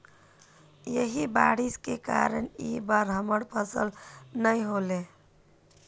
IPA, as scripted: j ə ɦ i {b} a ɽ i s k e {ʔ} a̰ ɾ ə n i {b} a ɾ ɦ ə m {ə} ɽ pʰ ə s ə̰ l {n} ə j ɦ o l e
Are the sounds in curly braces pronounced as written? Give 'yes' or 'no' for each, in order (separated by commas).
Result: yes, no, yes, yes, yes